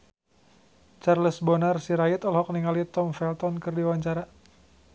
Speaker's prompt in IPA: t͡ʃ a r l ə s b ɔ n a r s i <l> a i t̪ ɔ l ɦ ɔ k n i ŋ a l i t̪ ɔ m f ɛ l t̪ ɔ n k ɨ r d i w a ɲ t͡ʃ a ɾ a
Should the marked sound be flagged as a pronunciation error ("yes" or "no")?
yes